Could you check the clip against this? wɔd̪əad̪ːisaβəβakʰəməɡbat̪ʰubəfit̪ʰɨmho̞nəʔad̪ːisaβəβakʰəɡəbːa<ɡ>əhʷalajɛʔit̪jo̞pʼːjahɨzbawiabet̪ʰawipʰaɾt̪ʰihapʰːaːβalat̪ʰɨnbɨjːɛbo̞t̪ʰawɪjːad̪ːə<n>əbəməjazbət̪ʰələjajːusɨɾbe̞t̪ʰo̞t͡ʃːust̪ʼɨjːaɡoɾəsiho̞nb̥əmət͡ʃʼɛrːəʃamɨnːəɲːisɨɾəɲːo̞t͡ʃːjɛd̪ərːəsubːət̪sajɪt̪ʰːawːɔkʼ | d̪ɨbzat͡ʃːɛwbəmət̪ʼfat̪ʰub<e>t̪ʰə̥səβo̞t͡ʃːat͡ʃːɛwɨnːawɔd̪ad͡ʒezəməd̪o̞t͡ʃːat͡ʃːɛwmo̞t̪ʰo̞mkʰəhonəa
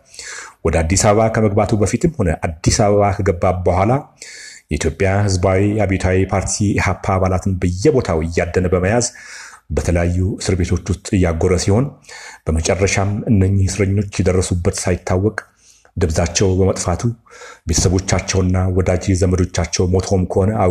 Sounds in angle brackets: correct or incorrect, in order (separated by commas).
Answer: incorrect, correct, correct